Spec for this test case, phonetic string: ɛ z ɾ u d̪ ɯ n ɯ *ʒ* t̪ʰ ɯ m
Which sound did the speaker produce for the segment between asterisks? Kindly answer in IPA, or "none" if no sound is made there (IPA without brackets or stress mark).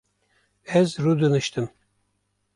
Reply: ʃ